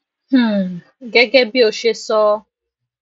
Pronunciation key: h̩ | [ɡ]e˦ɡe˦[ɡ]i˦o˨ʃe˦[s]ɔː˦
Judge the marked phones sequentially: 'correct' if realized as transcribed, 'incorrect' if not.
correct, incorrect, correct

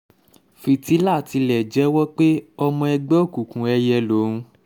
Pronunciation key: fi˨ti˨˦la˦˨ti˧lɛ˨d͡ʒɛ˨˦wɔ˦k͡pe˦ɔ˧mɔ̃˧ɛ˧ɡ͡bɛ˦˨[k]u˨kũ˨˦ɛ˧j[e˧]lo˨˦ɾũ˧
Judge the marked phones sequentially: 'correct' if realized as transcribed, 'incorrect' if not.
correct, incorrect

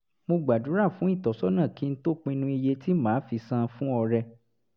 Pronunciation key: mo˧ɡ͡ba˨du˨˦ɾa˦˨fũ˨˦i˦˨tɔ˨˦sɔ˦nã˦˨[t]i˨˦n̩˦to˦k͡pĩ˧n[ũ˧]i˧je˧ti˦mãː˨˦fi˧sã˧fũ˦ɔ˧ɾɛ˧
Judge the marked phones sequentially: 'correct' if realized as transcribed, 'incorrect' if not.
incorrect, correct

